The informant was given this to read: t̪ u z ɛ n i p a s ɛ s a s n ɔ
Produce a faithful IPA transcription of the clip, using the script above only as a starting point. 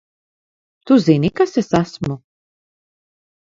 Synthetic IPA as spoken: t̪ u z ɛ n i k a s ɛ s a s m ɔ